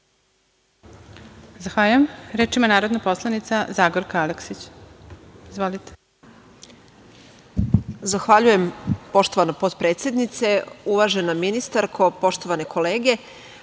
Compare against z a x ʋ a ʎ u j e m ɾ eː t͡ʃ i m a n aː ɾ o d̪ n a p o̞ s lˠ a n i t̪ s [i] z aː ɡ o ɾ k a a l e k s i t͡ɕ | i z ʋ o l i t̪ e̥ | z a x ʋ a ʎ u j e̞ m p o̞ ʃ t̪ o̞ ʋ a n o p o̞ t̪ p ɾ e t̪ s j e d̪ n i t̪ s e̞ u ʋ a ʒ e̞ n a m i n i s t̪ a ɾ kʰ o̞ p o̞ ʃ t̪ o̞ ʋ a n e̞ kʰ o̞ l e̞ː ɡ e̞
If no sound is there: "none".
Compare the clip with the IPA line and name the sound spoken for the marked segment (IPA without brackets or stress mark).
a